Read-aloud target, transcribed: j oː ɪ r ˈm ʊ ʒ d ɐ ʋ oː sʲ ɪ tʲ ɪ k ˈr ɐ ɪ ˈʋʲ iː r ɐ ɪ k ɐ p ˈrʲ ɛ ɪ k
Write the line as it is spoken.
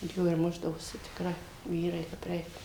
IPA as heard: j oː ɪ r ˈm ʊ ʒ d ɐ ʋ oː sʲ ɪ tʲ ɪ k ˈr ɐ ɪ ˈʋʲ iː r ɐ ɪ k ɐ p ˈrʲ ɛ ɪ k